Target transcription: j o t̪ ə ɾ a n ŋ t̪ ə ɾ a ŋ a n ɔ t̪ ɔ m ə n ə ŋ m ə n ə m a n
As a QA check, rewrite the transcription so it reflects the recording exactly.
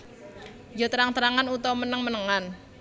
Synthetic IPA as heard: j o t̪ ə ɾ a ŋ t̪ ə ɾ a ŋ a n u t̪ ɔ m ə n ə ŋ m ə n ə ŋ a n